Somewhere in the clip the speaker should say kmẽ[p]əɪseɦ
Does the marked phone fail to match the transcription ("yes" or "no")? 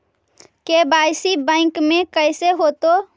yes